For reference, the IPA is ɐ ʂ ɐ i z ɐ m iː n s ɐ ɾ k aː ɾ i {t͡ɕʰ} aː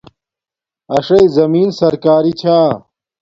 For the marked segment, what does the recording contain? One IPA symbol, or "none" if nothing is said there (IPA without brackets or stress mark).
t͡ɕʰ